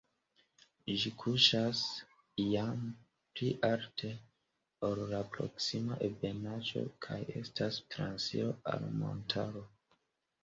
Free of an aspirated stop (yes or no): no